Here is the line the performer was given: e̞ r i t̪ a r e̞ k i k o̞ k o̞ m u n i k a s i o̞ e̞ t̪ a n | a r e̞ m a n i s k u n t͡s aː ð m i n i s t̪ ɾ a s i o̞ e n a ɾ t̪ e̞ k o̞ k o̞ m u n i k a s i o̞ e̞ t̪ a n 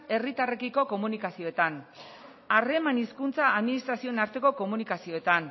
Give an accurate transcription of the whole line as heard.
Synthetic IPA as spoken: e̞ r i t̪ a r e̞ k i k o̞ k o̞ m u n i k a s i o̞ e̞ t̪ a n | a r e̞ m a n i s k u n t͡s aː ð m i n i s t̪ ɾ a s i o̞ e n a ɾ t̪ e̞ k o̞ k o̞ m u n i k a s i o̞ e̞ t̪ a n